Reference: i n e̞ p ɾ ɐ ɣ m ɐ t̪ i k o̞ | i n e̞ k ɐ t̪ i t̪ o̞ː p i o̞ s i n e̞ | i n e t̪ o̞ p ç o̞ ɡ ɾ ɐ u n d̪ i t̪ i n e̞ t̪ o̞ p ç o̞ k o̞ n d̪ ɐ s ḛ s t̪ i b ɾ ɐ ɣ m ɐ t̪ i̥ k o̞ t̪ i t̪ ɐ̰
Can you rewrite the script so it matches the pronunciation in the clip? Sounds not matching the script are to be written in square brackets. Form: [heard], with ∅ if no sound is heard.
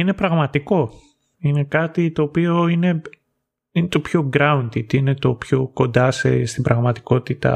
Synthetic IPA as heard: i n e̞ p ɾ ɐ ɣ m ɐ t̪ i k o̞ | i n e̞ k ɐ t̪ i t̪ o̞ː p i o̞ [∅] i n e̞ | i n e t̪ o̞ p ç o̞ ɡ ɾ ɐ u n d̪ i t̪ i n e̞ t̪ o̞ p ç o̞ k o̞ n d̪ ɐ s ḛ s t̪ i b ɾ ɐ ɣ m ɐ t̪ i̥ k o̞ t̪ i t̪ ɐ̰